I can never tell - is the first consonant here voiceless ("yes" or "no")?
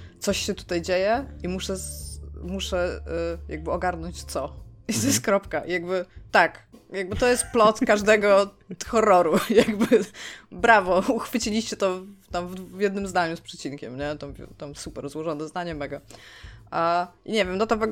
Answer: yes